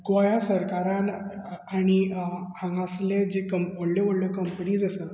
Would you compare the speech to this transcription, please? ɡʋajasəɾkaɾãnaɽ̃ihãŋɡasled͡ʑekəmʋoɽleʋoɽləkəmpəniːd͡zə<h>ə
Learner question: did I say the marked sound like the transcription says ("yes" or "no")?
no